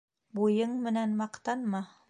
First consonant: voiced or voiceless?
voiced